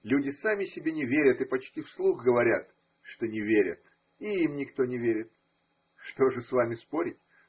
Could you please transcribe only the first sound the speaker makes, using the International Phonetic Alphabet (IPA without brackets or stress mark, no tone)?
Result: lʲ